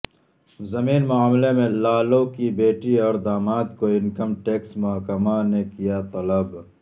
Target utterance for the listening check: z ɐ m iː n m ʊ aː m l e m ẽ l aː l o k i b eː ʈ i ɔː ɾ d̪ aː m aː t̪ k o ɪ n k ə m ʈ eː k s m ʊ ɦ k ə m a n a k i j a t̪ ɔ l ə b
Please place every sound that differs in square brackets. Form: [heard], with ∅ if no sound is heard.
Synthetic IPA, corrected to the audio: z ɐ m iː n m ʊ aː m l e m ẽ l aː l o k i b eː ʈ i ɔː ɾ d̪ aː m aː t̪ k o ɪ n k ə m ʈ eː k s m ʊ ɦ k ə m a n [e] k i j a t̪ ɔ l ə b